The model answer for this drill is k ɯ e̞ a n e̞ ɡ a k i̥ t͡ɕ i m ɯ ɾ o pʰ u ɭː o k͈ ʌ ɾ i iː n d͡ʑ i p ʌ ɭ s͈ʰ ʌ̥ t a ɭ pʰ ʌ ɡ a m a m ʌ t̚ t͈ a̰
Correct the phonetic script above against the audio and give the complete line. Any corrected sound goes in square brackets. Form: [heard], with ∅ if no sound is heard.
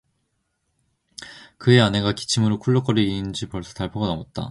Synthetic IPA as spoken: k ɯ e̞ a n e̞ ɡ a k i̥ [t͡ɕʰ] i m ɯ ɾ o [kʰ] u ɭː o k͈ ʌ ɾ i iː n d͡ʑ i p ʌ ɭ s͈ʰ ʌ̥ t a ɭ pʰ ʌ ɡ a [n] a m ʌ t̚ t͈ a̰